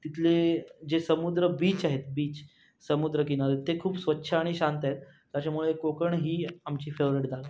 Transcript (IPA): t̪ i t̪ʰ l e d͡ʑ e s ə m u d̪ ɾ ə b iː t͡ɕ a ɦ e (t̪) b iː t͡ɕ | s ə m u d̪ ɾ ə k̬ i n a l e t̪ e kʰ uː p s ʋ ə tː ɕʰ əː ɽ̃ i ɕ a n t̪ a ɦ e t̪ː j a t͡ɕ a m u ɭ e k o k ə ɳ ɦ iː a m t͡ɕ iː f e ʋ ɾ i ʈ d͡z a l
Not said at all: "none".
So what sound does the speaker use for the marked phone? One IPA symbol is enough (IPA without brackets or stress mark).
t̪